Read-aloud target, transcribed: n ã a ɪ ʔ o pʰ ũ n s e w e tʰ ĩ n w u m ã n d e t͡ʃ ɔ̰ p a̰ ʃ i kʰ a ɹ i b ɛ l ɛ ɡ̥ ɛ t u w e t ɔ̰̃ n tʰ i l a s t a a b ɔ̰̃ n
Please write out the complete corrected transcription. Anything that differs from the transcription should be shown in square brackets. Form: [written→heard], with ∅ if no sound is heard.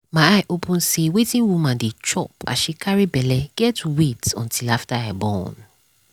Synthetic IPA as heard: [n→m] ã a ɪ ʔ o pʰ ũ n s e w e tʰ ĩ n w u m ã n d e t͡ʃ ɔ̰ p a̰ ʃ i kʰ a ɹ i b ɛ l ɛ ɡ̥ ɛ t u w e t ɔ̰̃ n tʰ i l a [s→f] t a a b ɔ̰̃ n